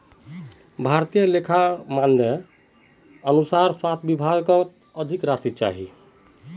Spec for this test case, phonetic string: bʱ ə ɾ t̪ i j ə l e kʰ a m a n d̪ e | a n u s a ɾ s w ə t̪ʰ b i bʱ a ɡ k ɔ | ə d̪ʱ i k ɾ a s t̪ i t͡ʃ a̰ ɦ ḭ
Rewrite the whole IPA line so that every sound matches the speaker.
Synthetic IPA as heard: bʱ a ɾ t̪ i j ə l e kʰ a m a n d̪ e | ə n u s a ɾ s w a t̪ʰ b i bʱ a ɡ k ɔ | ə d̪ʱ i k ɾ a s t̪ i t͡ʃ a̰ ɦ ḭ